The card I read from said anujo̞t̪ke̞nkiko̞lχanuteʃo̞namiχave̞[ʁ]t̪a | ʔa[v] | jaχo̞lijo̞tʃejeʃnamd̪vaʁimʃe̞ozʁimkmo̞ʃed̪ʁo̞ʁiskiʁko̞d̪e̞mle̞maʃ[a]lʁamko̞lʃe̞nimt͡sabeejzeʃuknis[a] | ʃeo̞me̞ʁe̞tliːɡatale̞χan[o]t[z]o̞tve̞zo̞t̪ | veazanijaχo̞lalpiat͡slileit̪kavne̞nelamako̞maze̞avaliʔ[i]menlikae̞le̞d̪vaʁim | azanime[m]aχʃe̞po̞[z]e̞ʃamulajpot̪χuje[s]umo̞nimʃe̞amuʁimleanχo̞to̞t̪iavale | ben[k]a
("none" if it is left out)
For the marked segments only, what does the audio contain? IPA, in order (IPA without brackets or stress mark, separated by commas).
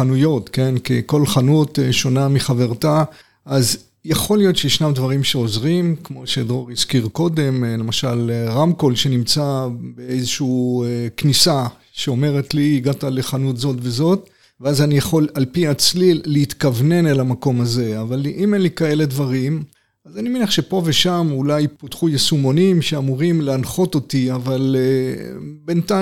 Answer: ʁ, z, a, a, u, z, i, n, v, s, t